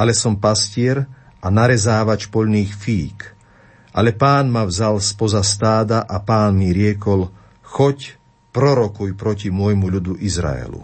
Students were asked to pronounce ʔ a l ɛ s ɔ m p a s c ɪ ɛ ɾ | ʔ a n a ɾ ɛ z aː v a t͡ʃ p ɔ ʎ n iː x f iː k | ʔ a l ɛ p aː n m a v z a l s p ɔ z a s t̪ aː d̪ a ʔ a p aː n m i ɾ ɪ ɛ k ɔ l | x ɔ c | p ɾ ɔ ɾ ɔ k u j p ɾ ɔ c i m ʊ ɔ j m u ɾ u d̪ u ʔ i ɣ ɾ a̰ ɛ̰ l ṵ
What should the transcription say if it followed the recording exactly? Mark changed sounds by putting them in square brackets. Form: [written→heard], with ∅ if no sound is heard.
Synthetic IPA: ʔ a l ɛ s ɔ m p a s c ɪ ɛ ɾ | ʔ a n a ɾ ɛ z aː [v→ʋ] a t͡ʃ p ɔ ʎ n iː x f iː k | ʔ a l ɛ p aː n m a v z a l s p ɔ z a s t̪ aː d̪ a ʔ a p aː n m i ɾ ɪ ɛ k ɔ l | x ɔ c | p ɾ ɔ ɾ ɔ k u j p ɾ ɔ c i m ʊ ɔ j m u [ɾ→ʎ] u d̪ u ʔ i [ɣ→z] ɾ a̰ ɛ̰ l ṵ